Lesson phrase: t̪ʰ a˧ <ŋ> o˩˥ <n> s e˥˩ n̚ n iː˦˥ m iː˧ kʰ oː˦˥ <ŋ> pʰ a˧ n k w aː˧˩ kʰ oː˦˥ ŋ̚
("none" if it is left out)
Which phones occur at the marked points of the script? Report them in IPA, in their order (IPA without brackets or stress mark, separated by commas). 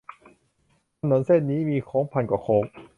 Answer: n, n, ŋ